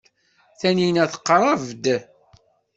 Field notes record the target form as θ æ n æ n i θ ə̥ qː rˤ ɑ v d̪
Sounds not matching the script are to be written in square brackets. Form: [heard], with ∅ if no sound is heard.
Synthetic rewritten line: θ æ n [i] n [æ] θ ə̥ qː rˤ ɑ v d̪